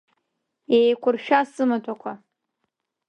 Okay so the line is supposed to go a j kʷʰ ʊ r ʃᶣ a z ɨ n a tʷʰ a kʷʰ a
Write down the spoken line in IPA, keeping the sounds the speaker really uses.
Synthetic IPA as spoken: e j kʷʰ ʊ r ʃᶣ a s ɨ m a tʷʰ a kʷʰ a